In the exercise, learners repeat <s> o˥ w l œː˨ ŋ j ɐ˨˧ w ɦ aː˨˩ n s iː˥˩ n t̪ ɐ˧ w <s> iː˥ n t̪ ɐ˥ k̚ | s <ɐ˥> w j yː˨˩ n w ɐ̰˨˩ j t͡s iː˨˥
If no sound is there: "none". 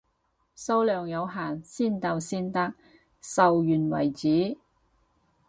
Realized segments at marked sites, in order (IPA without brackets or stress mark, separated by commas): s, s, ɐ˨